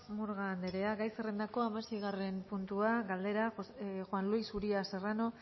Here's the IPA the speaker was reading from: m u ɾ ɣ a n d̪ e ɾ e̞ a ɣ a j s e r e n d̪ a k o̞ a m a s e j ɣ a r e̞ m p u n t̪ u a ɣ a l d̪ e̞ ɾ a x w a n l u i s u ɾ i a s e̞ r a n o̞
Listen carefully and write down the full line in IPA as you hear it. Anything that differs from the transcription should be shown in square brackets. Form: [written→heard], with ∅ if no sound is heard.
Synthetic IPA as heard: m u ɾ ɣ a n d̪ e ɾ e̞ a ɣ a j s e r e n d̪ a k o̞ a m a s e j ɣ a r e̞ m p u n t̪ u a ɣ a l d̪ e̞ ɾ a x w a n l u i s u ɾ i a s e̞ r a n o̞